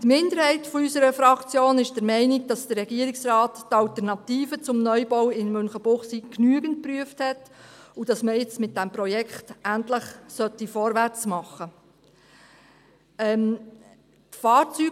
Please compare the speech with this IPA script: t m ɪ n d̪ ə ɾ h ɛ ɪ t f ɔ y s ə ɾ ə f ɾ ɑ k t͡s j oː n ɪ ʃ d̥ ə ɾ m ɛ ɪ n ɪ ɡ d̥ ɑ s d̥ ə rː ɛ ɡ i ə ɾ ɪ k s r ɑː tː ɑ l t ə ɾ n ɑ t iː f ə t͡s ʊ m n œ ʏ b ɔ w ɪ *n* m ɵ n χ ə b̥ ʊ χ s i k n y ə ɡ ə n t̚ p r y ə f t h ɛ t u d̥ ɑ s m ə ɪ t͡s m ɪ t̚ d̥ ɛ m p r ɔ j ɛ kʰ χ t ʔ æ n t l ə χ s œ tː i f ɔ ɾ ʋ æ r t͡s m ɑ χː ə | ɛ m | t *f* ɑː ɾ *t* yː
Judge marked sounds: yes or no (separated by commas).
yes, yes, no